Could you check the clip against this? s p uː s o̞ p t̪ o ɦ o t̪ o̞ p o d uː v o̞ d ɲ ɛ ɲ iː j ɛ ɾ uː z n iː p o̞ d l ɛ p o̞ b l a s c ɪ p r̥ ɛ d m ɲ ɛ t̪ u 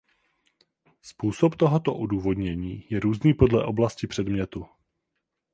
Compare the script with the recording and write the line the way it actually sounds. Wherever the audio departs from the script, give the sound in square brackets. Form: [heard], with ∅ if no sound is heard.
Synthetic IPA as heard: s p uː s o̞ p t̪ o ɦ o t̪ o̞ [ʔ] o d uː v o̞ d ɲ ɛ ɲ iː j ɛ ɾ uː z n iː p o̞ d l ɛ [ʔ] o̞ b l a s c ɪ p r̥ ɛ d m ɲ ɛ t̪ u